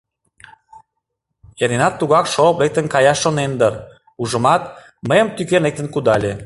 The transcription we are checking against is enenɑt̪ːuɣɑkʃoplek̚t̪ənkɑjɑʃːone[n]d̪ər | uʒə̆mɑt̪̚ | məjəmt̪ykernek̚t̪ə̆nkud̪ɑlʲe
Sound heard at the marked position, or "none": n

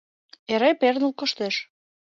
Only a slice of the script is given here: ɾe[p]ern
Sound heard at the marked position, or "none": p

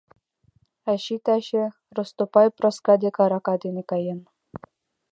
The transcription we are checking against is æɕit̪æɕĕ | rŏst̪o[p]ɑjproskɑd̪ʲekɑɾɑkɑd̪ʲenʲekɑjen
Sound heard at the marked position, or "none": p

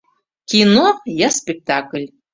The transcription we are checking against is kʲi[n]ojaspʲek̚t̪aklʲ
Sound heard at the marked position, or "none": n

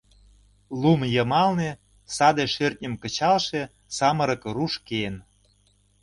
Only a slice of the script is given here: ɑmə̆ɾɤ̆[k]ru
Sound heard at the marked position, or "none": k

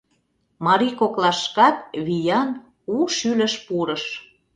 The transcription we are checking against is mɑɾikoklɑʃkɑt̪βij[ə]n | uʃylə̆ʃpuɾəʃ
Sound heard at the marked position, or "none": ɑ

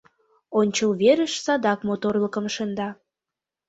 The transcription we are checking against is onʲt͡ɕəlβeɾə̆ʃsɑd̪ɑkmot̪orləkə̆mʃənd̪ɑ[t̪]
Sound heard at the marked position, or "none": none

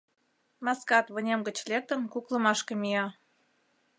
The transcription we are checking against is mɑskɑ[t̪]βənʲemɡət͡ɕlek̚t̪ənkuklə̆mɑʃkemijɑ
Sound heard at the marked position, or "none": t̪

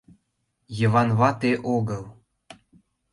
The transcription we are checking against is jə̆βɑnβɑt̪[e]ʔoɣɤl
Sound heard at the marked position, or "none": e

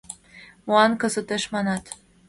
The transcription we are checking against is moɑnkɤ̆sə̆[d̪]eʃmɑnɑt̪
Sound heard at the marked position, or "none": t̪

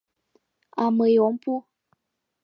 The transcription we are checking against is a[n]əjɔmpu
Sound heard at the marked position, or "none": m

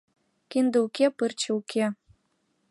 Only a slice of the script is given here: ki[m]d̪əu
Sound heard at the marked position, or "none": n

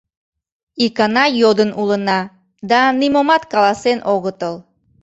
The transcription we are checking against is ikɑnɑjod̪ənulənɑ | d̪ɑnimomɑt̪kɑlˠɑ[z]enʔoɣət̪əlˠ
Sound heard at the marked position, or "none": s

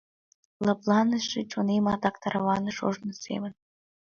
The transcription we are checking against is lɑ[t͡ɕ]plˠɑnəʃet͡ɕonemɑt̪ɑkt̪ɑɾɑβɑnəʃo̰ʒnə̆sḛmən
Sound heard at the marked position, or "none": none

